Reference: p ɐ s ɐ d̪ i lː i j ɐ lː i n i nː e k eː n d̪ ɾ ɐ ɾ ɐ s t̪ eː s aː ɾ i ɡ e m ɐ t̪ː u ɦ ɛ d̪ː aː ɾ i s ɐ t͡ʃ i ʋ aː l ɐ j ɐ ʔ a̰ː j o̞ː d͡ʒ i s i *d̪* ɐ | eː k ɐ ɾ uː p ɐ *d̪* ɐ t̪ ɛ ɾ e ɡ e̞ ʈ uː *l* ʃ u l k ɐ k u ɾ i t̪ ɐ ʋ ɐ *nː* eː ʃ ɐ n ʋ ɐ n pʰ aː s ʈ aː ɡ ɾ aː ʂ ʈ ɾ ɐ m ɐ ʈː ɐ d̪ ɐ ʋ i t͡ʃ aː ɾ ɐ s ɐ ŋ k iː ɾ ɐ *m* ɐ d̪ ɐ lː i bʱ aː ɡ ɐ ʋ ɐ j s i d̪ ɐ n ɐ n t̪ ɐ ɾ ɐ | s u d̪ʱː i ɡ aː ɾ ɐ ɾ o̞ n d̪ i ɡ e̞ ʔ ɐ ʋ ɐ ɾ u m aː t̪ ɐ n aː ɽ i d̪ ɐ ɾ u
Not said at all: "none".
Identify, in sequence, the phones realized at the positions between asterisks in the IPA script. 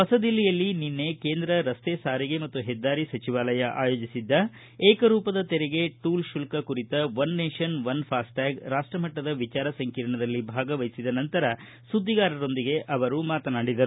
d̪ː, d̪, l, nː, ɳ

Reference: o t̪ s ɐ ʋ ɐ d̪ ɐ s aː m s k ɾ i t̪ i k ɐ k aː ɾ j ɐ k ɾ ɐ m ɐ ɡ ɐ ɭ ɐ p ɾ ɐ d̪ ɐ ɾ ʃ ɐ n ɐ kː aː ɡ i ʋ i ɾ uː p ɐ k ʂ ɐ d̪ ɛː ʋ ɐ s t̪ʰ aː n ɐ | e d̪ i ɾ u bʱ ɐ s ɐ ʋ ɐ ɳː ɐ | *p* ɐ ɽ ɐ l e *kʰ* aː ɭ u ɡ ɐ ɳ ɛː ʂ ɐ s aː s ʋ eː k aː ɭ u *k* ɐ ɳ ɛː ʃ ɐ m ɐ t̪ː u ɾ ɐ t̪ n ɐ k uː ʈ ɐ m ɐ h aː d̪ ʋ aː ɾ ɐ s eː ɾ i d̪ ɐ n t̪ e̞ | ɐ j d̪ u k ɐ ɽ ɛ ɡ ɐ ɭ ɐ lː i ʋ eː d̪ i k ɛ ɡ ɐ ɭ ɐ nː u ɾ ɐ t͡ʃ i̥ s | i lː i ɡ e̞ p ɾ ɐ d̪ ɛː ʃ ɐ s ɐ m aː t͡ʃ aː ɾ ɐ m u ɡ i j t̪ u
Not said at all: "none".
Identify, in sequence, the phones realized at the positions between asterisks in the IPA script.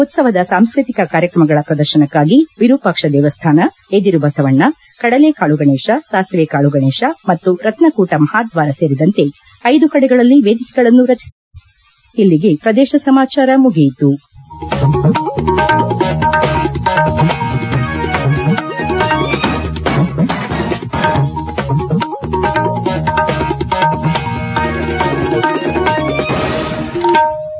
k, k, ɡ

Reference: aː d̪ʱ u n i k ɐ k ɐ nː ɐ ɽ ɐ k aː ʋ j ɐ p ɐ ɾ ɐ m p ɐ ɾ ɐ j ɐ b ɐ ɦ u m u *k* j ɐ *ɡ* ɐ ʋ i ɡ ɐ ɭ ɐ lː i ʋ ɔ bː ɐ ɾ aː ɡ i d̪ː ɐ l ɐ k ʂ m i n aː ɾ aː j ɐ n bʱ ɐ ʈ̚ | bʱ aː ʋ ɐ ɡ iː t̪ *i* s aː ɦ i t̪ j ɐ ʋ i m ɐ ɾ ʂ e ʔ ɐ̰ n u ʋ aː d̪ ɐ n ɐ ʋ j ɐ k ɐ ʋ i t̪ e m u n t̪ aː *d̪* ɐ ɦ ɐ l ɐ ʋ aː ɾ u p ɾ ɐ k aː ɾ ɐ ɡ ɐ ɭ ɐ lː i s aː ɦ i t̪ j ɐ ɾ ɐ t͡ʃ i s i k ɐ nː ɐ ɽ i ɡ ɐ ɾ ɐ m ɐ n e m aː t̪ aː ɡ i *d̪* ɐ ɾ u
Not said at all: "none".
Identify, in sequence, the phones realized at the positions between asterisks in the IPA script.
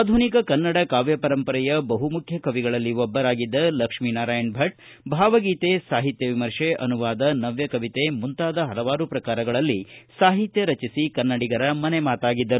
kʰ, k, e, d̪, d̪ː

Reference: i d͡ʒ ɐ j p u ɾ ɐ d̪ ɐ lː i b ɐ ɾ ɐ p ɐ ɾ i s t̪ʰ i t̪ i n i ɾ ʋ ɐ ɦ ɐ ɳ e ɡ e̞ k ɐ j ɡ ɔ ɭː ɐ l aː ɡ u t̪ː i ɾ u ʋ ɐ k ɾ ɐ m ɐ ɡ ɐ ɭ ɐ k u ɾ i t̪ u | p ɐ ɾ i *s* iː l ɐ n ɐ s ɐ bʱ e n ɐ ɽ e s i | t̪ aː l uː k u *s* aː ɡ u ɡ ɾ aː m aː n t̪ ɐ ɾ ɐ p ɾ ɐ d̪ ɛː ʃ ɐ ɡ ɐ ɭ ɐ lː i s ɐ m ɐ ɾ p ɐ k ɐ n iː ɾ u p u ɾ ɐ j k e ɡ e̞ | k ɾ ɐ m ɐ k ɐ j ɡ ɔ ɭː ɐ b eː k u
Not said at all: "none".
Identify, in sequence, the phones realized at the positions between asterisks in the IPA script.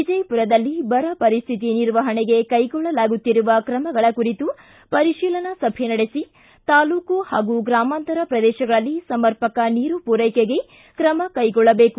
ʃ, h

